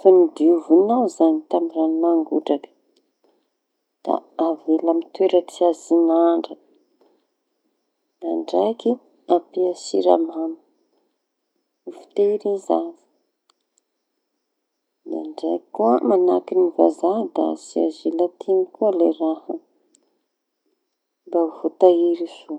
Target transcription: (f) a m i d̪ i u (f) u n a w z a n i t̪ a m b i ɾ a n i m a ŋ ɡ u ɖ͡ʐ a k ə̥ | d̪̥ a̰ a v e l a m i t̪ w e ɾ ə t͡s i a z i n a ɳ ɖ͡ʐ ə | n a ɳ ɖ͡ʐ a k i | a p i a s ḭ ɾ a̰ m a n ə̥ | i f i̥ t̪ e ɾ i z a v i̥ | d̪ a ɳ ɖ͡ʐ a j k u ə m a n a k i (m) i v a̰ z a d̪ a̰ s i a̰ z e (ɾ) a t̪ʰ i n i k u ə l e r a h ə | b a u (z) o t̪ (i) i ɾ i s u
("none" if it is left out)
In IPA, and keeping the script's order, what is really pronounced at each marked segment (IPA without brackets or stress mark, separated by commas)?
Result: f, v, n, l, v, a